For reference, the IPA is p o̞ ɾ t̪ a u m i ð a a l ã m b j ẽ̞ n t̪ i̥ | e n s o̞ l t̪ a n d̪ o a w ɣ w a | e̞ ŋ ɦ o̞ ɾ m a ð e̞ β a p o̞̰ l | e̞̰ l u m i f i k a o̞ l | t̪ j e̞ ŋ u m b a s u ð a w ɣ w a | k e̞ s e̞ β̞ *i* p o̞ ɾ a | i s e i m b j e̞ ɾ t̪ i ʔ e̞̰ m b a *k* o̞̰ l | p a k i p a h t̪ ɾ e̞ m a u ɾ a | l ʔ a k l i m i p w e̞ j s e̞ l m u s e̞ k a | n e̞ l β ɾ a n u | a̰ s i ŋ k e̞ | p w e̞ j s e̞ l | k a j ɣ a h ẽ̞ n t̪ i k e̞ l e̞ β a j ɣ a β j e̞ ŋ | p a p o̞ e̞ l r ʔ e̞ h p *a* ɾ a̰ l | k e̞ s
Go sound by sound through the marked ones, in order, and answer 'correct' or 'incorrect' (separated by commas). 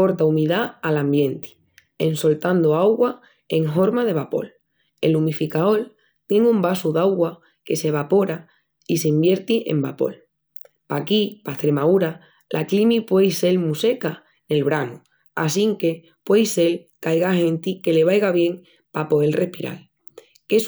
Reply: incorrect, incorrect, incorrect